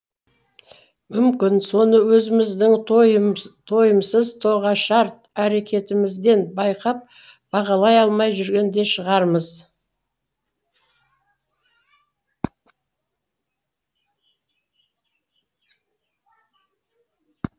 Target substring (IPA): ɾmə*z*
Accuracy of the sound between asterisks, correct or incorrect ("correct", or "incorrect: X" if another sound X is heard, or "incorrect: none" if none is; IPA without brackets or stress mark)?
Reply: correct